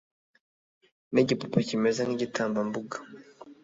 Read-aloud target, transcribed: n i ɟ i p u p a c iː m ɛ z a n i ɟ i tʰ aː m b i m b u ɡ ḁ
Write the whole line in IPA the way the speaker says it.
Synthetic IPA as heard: n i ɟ i p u p a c i m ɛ z a n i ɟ i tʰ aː m b a m b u ɡ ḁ